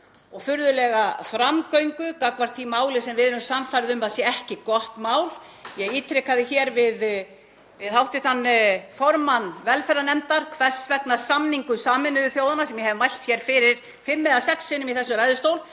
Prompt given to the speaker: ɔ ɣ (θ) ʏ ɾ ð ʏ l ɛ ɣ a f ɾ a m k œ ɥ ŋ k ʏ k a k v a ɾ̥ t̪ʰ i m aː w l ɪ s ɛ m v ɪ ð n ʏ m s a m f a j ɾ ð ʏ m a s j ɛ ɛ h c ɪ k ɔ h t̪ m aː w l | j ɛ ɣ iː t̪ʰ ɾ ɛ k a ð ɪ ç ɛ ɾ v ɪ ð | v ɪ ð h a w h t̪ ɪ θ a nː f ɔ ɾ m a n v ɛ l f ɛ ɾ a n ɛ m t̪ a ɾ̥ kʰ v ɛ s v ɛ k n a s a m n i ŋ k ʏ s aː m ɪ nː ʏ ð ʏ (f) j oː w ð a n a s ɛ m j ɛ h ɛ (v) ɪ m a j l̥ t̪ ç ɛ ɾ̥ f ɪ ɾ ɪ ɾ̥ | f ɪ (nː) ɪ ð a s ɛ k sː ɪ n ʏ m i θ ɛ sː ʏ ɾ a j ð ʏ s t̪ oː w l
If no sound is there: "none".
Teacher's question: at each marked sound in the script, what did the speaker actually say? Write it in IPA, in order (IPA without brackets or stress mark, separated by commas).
f, θ, v, mː